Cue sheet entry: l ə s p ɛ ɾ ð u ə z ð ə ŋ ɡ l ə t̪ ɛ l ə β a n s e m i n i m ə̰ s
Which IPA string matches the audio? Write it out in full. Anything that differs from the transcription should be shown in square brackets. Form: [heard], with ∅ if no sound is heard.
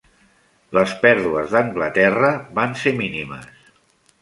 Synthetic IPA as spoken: l ə s p ɛ ɾ ð u ə z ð ə ŋ ɡ l ə t̪ ɛ [r] ə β a n s e m i n i m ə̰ s